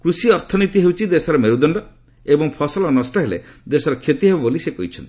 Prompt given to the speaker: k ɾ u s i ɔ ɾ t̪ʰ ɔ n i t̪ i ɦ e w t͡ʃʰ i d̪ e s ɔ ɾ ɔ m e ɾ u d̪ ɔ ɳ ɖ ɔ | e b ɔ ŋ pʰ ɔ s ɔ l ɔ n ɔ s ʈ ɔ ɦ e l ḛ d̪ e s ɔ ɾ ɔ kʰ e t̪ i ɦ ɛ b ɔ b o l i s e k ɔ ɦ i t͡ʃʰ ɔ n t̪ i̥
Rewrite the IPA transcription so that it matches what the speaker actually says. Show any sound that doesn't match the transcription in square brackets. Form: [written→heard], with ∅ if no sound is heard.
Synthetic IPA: k ɾ u s i ɔ ɾ t̪ʰ ɔ n i t̪ i ɦ e w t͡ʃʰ i d̪ e s ɔ ɾ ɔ m e ɾ u d̪ ɔ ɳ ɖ ɔ | e b ɔ ŋ pʰ ɔ s ɔ l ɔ n ɔ s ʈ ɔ ɦ e l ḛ d̪ e s ɔ ɾ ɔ kʰ e t̪ i ɦ [ɛ→e] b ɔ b o l i s e k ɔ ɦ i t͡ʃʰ ɔ n t̪ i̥

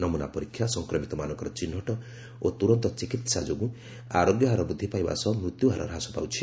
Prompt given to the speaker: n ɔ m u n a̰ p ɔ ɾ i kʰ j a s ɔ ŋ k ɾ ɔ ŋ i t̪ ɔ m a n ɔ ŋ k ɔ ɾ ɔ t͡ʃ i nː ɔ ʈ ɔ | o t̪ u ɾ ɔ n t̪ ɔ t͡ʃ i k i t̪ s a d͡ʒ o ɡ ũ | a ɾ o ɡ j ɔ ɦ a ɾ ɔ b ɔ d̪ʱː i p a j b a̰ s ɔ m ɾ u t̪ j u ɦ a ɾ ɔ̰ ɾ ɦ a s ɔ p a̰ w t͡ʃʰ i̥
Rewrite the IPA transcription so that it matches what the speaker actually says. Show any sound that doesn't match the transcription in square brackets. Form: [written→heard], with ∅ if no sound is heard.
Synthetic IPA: n ɔ m u n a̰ p ɔ ɾ i kʰ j a s ɔ ŋ k ɾ ɔ [ŋ→m] i t̪ ɔ m a n ɔ ŋ k ɔ ɾ ɔ t͡ʃ i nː ɔ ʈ ɔ | o t̪ u ɾ ɔ n t̪ ɔ t͡ʃ i k i t̪ s a d͡ʒ o ɡ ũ | a ɾ o ɡ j ɔ ɦ a ɾ ɔ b [ɔ→u] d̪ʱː i p a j b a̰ s ɔ m ɾ u t̪ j u ɦ a ɾ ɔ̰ ɾ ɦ a s ɔ p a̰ w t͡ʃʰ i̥

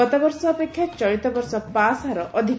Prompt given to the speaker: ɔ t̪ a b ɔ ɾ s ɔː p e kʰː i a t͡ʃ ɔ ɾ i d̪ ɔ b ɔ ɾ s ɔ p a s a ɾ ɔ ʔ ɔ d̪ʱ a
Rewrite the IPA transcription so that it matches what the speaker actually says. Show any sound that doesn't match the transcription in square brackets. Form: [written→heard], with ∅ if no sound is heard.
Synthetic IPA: ɔ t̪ a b ɔ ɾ s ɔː p e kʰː [i→j] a t͡ʃ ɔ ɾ i [d̪→t̪] ɔ b ɔ ɾ s ɔ p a s a ɾ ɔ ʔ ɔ d̪ʱ [a→i]

